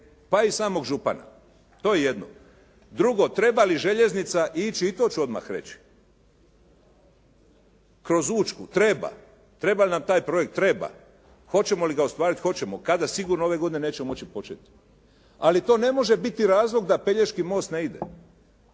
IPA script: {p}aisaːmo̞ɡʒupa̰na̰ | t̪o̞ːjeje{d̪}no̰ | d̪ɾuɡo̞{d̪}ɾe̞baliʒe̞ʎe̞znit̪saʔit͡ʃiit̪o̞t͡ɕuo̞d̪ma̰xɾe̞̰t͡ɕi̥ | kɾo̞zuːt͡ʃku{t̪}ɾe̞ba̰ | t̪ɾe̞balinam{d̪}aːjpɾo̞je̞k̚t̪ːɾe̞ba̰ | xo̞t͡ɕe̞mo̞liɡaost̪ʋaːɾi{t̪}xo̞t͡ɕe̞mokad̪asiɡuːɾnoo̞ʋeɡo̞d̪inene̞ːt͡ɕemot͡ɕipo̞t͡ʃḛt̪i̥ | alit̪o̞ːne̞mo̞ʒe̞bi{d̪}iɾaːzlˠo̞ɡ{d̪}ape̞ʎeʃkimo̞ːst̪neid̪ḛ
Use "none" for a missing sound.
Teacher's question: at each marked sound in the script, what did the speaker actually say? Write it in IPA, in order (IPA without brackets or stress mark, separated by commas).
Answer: p, d̪, t̪, t̪, t̪, t̪, t̪, d̪